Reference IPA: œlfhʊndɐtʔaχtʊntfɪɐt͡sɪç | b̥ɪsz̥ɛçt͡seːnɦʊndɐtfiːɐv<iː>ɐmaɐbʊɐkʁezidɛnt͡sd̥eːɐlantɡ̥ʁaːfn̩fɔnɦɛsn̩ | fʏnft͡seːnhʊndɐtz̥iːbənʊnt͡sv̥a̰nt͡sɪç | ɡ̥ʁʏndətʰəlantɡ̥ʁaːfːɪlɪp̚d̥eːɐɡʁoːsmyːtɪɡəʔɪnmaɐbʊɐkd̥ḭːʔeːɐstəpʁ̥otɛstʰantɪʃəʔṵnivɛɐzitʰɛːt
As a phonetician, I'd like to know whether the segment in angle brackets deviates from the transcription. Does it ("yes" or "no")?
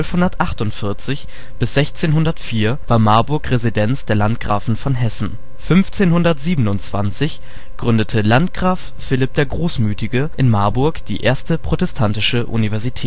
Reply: yes